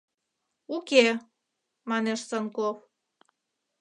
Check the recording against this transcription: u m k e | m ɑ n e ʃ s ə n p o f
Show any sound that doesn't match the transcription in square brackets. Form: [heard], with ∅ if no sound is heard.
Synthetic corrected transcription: u [∅] k e | m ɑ n e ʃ s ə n [k] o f